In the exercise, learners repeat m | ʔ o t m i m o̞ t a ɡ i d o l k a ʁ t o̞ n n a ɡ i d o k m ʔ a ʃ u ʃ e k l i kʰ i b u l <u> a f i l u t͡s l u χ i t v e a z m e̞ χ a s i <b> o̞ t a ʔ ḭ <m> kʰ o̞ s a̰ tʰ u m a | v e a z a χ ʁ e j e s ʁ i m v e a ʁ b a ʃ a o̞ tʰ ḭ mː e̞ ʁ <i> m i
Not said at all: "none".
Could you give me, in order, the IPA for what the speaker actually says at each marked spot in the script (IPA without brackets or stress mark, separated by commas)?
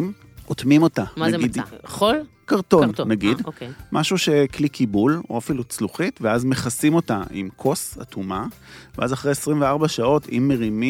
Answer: o, m, m, i